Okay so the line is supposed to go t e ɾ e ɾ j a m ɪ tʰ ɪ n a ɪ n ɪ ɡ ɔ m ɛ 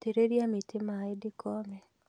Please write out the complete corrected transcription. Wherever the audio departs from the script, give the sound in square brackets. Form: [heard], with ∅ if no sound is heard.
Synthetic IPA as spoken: t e ɾ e ɾ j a m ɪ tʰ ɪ [m] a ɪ [d] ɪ [k] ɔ m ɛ